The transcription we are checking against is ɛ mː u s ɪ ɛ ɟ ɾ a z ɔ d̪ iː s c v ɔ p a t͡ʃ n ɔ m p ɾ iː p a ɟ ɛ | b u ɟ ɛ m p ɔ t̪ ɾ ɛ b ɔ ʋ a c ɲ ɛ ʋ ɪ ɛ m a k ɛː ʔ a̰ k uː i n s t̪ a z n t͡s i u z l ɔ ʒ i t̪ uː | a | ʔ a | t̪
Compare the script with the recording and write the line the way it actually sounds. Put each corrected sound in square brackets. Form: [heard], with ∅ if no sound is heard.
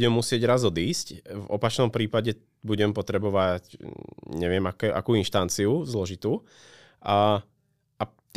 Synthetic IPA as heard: ɛ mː u s ɪ ɛ ɟ ɾ a z ɔ d̪ iː s c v ɔ p a t͡ʃ n ɔ m p ɾ iː p a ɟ ɛ | b u ɟ ɛ m p ɔ t̪ ɾ ɛ b ɔ ʋ a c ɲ ɛ ʋ ɪ ɛ m a k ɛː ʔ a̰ k uː i n [ʃ] t̪ a [∅] n t͡s i u z l ɔ ʒ i t̪ uː | a | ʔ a | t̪